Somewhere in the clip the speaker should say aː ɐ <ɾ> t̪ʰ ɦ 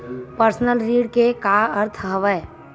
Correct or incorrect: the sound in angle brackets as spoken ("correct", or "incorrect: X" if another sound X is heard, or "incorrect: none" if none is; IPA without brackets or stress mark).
correct